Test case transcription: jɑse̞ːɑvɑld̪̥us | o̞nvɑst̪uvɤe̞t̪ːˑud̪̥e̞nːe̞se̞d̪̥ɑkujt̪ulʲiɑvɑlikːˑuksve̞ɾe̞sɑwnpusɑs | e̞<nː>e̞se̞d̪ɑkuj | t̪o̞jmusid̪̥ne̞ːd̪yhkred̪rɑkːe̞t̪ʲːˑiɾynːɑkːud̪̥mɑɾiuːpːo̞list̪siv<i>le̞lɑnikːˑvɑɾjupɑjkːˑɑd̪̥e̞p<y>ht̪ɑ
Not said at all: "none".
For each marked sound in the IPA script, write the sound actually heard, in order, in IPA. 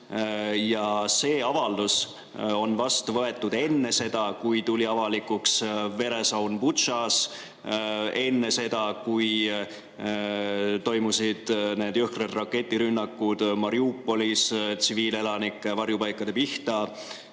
nː, iː, i

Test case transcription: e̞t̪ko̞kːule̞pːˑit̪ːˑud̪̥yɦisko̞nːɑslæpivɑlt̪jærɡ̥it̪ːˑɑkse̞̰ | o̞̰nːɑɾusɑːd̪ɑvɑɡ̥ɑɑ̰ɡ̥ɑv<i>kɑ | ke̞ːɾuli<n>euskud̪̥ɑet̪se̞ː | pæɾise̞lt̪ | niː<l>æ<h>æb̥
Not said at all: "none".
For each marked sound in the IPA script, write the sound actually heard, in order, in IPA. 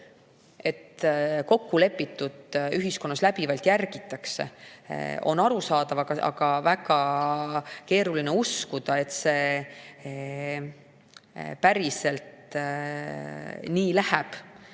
æ, n, l, h

